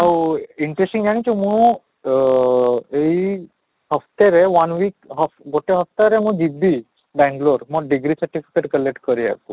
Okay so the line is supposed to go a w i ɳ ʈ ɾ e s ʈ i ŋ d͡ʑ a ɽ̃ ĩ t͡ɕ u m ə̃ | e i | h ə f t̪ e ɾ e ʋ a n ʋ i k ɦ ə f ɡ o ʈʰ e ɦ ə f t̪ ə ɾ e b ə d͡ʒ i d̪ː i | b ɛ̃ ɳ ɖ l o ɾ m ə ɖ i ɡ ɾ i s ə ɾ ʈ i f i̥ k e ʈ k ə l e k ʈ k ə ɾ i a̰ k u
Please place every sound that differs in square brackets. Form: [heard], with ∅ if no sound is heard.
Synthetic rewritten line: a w i ɳ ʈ ɾ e s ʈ i ŋ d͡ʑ a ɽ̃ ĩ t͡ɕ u m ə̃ | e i | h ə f t̪ e ɾ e ʋ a n ʋ i k ɦ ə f ɡ o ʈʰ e ɦ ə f t̪ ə ɾ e [m] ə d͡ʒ i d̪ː i | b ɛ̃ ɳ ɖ l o ɾ m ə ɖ i ɡ ɾ i s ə ɾ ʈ i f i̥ k e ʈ k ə l e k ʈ k ə ɾ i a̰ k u